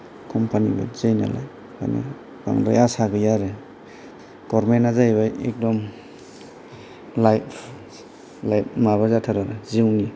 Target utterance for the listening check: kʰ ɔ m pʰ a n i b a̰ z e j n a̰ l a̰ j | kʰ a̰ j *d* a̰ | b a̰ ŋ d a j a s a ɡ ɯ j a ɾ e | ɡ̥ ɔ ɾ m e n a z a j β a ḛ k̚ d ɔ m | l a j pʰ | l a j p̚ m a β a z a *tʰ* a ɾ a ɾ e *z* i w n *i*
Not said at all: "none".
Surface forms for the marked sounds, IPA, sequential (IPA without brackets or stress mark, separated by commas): n, tʰ, z, i